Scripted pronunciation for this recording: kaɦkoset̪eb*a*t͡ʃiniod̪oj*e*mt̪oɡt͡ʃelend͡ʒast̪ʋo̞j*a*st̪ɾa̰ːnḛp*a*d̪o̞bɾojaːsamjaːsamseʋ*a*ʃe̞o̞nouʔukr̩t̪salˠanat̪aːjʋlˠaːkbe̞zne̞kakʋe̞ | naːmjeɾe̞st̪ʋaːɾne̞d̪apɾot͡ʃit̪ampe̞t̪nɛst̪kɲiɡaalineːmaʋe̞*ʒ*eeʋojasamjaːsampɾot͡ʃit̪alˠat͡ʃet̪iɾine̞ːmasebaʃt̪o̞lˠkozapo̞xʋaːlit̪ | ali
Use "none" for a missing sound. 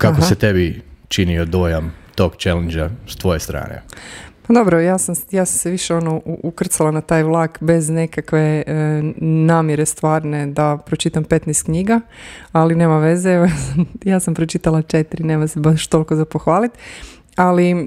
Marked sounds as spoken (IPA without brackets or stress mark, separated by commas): i, a, e, a, i, z